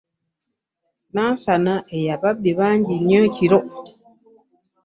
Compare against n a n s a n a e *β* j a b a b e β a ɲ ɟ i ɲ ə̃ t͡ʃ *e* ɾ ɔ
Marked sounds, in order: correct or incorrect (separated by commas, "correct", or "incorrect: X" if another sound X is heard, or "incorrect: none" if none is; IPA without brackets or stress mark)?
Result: incorrect: none, incorrect: i